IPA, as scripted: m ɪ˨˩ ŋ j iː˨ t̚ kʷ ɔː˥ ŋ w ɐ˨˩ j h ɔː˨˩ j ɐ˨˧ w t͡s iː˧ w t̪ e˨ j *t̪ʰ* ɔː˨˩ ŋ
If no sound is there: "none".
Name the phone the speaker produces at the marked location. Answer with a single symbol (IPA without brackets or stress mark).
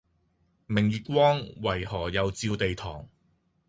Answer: t̪ʰ